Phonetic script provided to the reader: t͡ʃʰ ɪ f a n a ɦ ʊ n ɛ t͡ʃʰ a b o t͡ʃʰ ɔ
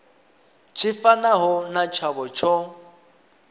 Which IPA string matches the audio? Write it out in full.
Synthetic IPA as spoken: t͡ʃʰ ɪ f a n a ɦ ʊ n a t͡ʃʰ a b ɔ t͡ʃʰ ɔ